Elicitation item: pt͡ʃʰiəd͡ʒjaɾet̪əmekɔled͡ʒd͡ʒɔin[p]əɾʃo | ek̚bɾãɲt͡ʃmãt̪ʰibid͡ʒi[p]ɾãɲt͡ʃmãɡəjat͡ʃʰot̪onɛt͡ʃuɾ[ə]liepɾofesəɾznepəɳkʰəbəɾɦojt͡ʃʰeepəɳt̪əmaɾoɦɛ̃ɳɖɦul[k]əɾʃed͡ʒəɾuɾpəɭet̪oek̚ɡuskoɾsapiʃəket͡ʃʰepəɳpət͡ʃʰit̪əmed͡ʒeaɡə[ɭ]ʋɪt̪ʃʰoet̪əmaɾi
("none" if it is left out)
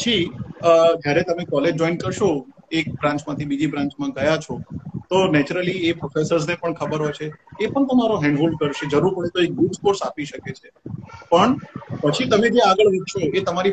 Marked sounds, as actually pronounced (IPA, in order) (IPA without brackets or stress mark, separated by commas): k, b, ə, k, ɭ